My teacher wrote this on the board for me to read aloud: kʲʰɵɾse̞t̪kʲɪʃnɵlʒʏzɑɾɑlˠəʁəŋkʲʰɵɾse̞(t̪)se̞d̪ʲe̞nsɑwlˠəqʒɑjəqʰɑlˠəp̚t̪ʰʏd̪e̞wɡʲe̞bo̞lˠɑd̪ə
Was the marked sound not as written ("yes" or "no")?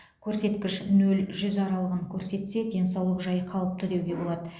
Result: no